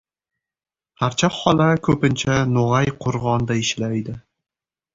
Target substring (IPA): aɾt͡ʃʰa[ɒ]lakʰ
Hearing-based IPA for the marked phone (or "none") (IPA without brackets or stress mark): ɒ